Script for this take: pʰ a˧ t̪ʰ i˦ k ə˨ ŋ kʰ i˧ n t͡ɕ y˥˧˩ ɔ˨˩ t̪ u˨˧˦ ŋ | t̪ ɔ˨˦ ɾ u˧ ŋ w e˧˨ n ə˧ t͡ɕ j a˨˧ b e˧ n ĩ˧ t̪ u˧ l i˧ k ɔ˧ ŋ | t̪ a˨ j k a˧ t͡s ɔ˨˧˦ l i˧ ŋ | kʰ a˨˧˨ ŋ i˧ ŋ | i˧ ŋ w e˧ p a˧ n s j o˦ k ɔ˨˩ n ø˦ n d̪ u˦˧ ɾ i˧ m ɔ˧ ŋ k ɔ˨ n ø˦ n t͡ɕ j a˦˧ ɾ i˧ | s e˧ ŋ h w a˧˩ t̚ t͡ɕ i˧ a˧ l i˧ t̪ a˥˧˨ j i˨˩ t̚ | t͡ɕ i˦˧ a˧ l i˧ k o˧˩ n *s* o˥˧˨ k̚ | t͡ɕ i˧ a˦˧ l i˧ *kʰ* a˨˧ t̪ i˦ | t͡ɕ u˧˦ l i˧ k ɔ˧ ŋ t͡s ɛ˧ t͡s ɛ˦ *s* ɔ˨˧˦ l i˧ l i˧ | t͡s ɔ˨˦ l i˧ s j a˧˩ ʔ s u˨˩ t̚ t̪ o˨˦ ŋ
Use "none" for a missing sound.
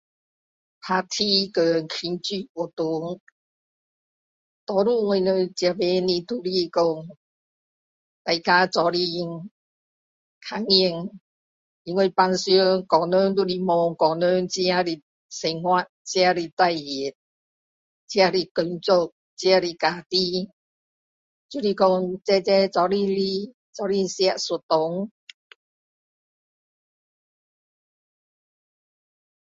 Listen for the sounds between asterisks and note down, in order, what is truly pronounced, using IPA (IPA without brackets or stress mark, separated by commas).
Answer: t͡s, k, t͡s